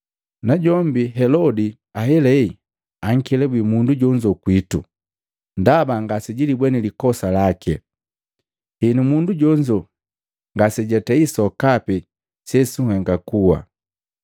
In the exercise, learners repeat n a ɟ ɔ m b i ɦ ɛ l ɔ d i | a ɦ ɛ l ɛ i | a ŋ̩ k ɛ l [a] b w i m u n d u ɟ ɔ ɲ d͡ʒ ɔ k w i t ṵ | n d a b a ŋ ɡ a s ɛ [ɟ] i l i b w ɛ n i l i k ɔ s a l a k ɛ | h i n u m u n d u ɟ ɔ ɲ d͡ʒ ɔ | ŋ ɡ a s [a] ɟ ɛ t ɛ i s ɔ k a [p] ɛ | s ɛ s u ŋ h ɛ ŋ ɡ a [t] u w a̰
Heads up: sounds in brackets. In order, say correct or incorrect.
incorrect: ɛ, correct, incorrect: ɛ, correct, incorrect: k

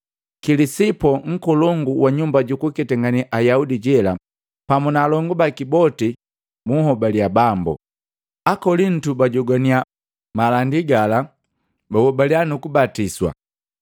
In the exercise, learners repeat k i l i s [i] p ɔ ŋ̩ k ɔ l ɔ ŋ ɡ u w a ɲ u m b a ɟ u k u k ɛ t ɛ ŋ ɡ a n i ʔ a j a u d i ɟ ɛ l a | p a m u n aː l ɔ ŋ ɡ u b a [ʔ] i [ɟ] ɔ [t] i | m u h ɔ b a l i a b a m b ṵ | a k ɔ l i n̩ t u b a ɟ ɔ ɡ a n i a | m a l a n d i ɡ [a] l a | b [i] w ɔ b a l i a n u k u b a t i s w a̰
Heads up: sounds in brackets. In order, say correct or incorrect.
correct, incorrect: k, incorrect: b, correct, correct, incorrect: a

